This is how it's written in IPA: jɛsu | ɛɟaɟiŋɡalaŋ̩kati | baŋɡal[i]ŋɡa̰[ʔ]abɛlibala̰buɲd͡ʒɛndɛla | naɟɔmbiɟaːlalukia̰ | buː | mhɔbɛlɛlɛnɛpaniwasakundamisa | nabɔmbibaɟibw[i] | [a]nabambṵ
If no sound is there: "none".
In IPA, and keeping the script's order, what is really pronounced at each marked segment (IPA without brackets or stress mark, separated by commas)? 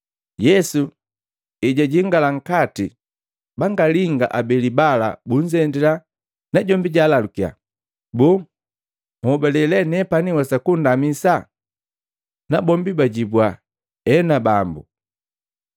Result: i, ʔ, a, ɛ